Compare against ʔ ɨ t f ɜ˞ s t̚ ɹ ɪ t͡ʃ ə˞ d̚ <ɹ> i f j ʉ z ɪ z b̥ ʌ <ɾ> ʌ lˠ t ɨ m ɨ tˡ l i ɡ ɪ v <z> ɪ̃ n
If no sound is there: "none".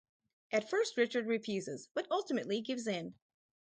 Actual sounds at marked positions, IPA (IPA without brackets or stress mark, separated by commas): ɹ, ɾ, z